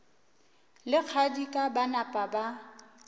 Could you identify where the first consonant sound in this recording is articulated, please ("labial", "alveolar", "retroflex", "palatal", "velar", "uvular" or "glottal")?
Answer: alveolar